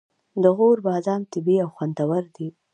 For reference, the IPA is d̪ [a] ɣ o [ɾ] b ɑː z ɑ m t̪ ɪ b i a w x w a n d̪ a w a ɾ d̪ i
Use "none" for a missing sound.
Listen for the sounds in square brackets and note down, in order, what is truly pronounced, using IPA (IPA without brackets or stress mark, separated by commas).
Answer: ə, ɾ